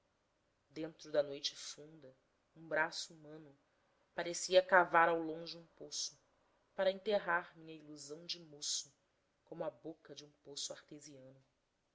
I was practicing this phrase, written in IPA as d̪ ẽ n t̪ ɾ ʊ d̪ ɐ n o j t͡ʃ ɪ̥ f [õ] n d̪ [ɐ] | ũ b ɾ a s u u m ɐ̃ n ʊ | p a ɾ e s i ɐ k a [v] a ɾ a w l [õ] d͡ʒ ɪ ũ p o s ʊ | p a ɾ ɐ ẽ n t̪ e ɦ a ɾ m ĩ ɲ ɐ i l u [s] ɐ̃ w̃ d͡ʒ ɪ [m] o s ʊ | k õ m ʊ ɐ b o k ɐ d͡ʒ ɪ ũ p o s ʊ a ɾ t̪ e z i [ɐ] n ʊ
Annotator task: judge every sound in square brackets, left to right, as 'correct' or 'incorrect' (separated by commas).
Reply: incorrect, correct, correct, correct, incorrect, correct, incorrect